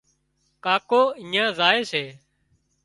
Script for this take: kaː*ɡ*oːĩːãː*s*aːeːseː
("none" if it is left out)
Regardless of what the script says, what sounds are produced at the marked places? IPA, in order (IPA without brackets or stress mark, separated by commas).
k, z